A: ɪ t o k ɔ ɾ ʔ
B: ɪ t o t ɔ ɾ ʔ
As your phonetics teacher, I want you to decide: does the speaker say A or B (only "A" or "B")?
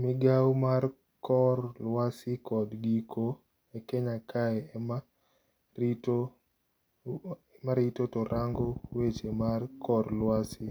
B